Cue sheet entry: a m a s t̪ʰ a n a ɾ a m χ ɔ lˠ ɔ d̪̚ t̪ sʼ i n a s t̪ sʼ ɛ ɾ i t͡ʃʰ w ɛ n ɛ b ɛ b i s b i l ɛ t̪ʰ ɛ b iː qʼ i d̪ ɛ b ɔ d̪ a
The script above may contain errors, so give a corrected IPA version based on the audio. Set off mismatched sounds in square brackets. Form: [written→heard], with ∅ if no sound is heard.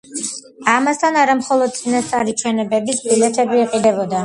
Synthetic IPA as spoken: a m a s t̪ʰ a n a ɾ a m χ ɔ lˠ ɔ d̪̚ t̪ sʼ i n a s t̪ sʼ [ɛ→a] ɾ i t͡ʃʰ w ɛ n ɛ b ɛ b i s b i l ɛ t̪ʰ ɛ b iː qʼ i d̪ ɛ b ɔ d̪ a